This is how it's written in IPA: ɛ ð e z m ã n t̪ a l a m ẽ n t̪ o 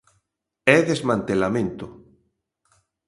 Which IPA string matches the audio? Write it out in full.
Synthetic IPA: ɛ ð e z m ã n t̪ e l a m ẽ n t̪ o